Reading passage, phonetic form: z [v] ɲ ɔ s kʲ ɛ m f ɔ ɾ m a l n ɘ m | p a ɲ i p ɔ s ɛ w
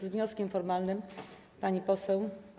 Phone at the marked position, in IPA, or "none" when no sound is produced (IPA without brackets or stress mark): v